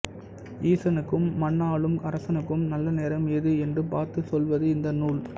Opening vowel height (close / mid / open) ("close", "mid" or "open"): close